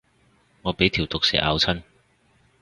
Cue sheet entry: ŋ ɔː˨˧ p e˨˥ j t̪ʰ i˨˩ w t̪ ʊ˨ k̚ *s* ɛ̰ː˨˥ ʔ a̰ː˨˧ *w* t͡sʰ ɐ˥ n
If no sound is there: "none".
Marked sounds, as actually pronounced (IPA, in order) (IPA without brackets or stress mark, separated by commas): s, w